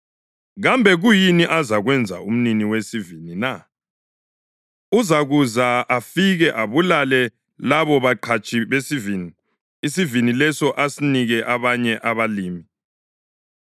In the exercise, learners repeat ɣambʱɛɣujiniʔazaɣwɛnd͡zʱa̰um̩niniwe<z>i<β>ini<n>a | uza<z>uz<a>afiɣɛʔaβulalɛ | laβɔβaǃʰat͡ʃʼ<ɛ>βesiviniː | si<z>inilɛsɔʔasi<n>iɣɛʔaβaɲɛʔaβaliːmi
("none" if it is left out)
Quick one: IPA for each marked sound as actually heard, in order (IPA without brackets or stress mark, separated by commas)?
s, v, n, ɣ, a, i, v, n